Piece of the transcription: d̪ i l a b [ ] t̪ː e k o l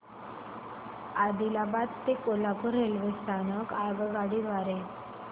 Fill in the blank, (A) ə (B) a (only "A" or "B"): B